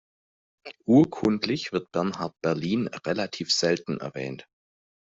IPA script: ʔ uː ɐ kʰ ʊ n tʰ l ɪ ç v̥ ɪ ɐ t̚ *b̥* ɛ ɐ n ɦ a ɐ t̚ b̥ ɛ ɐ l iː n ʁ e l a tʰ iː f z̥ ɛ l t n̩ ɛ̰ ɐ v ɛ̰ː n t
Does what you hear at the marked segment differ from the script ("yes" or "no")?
no